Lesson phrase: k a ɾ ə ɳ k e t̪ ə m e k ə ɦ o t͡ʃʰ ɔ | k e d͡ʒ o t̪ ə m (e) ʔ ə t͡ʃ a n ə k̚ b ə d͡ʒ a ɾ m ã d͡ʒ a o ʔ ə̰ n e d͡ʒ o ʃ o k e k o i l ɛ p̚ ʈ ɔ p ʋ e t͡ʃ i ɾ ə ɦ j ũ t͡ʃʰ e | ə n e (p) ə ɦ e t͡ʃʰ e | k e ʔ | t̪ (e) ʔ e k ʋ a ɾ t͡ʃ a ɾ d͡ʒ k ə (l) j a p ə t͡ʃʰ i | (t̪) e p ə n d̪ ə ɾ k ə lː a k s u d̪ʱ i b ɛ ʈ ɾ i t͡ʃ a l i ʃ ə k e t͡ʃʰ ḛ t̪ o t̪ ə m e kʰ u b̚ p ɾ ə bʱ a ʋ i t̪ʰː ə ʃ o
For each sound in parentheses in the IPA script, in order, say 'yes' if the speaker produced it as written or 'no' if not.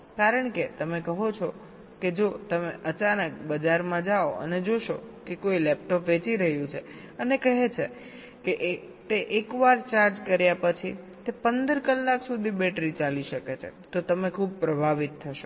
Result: yes, no, yes, no, yes

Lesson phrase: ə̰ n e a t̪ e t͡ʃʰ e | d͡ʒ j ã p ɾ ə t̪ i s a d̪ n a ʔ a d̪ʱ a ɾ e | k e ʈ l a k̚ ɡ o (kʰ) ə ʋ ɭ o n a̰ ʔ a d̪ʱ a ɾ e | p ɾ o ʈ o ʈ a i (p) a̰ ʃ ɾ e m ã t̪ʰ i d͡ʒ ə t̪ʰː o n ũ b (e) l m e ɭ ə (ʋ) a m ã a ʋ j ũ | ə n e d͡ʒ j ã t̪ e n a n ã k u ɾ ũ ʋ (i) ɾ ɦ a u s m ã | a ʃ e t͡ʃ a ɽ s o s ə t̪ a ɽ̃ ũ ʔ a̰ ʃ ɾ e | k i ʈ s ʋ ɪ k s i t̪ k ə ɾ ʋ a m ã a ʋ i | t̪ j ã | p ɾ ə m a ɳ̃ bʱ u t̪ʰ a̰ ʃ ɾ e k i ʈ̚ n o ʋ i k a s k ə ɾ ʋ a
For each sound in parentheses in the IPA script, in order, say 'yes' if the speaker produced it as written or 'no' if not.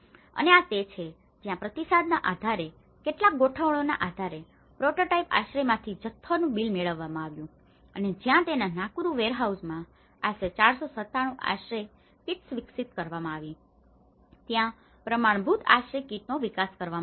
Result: no, yes, no, no, no

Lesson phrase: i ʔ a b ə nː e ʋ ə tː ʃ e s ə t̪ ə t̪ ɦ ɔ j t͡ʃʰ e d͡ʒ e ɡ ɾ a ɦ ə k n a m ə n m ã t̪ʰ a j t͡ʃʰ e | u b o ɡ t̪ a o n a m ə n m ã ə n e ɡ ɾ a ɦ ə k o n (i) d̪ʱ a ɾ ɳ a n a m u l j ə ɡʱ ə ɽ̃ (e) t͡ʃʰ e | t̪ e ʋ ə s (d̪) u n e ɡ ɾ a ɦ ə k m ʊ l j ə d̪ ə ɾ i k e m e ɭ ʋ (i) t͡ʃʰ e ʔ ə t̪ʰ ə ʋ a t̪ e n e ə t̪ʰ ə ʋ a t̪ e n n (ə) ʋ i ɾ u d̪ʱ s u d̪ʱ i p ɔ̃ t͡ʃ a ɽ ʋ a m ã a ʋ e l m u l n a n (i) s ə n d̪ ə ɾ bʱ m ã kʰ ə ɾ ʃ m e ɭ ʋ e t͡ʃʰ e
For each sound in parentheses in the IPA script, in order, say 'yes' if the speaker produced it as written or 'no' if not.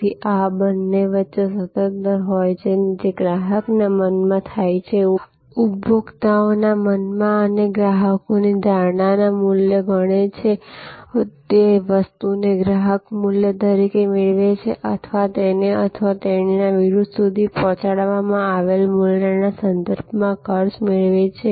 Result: yes, yes, no, no, no, no

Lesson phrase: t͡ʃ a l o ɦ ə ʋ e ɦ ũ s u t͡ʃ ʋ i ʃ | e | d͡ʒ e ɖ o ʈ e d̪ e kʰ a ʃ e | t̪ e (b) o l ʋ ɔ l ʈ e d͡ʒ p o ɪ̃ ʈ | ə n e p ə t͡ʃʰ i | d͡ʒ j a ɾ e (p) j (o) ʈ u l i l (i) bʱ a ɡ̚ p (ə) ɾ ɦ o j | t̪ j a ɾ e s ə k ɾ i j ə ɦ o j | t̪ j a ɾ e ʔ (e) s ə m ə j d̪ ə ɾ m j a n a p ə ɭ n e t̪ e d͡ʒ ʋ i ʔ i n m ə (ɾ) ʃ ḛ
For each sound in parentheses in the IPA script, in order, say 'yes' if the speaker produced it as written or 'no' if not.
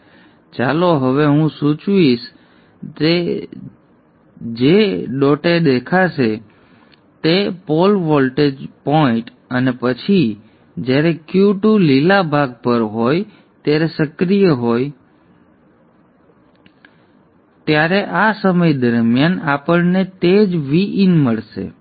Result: no, no, no, no, yes, no, no

